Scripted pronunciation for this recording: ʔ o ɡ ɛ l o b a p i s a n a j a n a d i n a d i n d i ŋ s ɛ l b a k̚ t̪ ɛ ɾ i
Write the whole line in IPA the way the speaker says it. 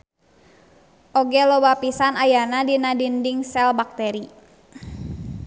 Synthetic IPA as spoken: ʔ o ɡ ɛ l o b a p i s a n a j a n a d i n a d i n d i ŋ s ɛ l b a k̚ t̪ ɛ ɾ i